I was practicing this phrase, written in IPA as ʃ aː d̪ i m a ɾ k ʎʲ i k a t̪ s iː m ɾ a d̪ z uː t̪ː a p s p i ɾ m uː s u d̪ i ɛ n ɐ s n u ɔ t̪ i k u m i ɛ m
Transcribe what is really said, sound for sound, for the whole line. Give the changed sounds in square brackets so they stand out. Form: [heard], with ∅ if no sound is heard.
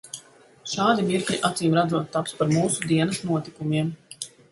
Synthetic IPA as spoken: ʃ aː d̪ i m [i] ɾ k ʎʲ i [ʔ] a t̪ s iː m ɾ a d̪ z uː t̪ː a p s p [a] ɾ m uː s u d̪ i ɛ n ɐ s n u ɔ t̪ i k u m i ɛ m